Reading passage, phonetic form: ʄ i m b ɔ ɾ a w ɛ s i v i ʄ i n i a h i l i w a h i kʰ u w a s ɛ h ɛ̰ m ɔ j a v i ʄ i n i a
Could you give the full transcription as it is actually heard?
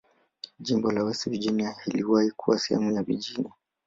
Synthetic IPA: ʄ i m b ɔ l a w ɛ s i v i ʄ i n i a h i l i w a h i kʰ u w a s ɛ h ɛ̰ m u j a v i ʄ i n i a